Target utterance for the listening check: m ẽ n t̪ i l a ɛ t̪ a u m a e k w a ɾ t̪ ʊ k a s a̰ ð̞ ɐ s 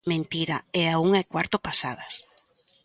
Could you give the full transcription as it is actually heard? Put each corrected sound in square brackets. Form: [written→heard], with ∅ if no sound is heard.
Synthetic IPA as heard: m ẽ n t̪ i [l→ɾ] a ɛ [t̪→∅] a u [m→ŋ] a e k w a ɾ t̪ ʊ [k→p] a s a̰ ð̞ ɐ s